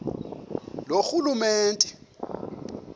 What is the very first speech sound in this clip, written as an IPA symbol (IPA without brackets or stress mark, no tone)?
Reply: l